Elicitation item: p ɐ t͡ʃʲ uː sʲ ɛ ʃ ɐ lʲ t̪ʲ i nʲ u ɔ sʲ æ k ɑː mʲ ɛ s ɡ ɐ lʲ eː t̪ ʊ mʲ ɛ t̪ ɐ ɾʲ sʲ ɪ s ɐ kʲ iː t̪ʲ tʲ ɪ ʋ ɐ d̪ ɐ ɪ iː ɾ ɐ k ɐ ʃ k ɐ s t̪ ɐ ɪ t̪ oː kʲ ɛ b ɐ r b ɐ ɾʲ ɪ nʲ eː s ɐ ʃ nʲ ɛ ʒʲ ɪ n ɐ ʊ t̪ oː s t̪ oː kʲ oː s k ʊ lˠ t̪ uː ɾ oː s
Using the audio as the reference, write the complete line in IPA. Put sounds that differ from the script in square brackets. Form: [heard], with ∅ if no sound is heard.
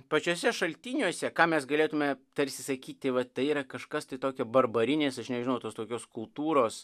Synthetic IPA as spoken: p ɐ t͡ʃʲ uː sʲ ɛ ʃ ɐ lʲ t̪ʲ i nʲ u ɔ sʲ [ɛ] k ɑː mʲ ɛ s ɡ ɐ lʲ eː t̪ ʊ mʲ ɛ t̪ ɐ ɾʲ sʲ ɪ s ɐ kʲ iː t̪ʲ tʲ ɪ ʋ ɐ [t̪] ɐ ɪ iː ɾ ɐ k ɐ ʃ k ɐ s t̪ ɐ ɪ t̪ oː kʲ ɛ b ɐ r b ɐ ɾʲ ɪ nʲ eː s ɐ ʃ nʲ ɛ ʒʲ ɪ n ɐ ʊ t̪ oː s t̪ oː kʲ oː s k ʊ lˠ t̪ uː ɾ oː s